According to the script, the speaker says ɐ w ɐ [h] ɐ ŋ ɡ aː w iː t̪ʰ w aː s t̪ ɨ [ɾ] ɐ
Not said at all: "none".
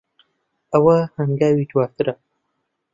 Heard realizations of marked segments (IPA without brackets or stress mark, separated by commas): h, ɾ